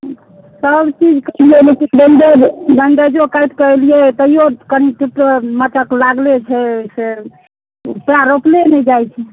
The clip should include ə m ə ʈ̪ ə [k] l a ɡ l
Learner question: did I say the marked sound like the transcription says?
yes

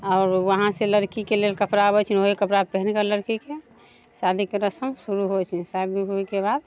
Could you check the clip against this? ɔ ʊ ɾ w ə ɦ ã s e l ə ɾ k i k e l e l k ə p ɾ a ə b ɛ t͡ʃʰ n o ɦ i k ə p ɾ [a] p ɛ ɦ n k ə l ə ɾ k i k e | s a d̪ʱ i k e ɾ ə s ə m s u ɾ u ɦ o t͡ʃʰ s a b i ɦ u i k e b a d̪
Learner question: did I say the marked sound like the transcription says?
yes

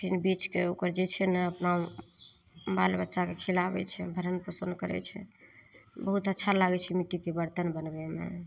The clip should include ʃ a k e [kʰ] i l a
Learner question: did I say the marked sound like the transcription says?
yes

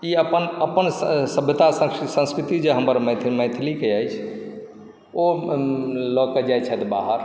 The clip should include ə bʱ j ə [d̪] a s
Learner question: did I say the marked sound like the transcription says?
no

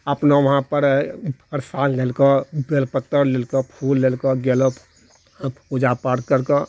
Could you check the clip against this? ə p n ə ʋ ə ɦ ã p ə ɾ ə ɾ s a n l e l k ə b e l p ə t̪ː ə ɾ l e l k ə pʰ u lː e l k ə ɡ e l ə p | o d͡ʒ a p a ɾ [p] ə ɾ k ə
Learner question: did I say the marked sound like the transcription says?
no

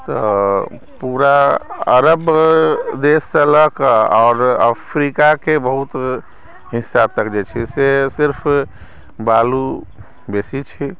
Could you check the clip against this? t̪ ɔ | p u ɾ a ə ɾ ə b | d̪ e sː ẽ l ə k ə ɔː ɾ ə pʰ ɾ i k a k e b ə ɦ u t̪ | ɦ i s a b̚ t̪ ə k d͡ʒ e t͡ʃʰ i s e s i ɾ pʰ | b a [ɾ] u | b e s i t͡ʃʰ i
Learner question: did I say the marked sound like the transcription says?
no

